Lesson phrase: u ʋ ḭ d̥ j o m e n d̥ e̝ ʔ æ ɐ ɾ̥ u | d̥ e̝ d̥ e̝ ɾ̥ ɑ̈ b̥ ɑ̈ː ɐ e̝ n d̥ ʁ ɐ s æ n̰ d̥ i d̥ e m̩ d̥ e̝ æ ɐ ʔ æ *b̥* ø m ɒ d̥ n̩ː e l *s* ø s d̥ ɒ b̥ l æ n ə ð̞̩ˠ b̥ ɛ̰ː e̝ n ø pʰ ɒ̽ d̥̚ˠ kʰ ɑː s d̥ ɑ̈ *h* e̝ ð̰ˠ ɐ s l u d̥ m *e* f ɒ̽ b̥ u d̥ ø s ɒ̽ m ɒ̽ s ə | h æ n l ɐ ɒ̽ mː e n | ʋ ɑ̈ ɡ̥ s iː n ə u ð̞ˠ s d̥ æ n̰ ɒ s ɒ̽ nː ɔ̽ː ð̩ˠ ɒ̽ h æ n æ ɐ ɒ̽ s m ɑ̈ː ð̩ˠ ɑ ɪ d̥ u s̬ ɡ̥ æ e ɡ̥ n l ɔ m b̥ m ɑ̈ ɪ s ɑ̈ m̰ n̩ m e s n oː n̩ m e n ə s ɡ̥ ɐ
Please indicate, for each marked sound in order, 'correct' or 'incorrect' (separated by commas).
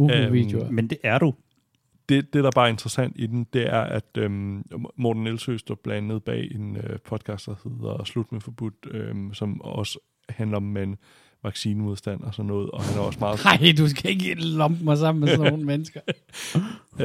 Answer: incorrect, correct, correct, correct